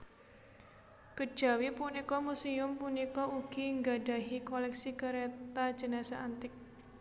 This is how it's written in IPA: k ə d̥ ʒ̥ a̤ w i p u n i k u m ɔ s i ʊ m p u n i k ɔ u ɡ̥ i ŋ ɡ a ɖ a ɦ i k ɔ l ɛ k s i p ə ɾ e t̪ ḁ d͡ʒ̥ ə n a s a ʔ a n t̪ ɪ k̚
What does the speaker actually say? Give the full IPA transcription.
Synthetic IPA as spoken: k ə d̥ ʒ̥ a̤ w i p u n i k ɔ m u s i ʊ m p u n i k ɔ u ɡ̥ i ŋ ɡ a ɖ a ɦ i k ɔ l ɛ k s i k ə ɾ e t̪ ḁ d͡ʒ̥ ə n a s a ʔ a n t̪ ɪ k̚